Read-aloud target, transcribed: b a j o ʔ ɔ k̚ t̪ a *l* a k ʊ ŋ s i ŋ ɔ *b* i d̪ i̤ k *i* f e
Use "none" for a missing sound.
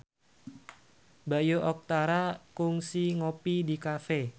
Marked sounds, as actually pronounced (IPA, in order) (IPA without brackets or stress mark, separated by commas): ɾ, p, a